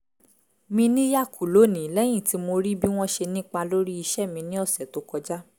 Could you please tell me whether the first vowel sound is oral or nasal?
nasal